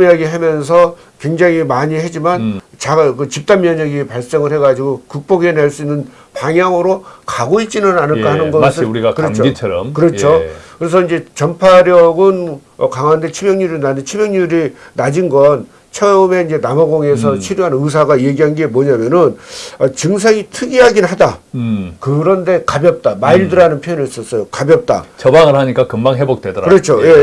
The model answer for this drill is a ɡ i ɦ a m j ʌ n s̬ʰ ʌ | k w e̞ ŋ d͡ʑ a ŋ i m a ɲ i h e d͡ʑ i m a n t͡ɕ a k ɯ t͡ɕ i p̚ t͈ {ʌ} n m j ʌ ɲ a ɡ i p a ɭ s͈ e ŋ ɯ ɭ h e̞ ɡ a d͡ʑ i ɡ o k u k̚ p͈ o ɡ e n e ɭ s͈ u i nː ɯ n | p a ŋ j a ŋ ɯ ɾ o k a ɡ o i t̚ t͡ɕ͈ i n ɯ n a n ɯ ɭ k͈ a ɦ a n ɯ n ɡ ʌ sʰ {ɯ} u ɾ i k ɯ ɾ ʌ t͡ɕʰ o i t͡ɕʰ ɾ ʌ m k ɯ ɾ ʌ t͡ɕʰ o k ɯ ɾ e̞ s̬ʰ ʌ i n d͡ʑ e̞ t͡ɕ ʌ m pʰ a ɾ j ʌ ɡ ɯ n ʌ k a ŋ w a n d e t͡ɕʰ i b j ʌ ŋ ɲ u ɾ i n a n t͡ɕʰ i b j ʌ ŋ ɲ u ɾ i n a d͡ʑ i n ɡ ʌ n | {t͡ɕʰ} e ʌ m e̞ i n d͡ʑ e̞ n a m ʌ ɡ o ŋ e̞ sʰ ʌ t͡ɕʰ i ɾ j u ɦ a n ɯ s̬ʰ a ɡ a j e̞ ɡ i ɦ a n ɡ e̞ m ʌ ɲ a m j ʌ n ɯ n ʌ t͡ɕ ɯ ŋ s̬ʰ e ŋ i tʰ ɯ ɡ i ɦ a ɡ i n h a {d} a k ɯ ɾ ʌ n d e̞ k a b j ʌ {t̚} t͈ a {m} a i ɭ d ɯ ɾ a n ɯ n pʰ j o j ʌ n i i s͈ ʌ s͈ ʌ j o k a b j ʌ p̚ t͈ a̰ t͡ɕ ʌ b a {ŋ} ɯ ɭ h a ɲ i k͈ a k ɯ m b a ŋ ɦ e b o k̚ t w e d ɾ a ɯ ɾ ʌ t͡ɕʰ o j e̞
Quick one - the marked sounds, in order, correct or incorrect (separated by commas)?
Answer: incorrect, correct, correct, correct, incorrect, correct, correct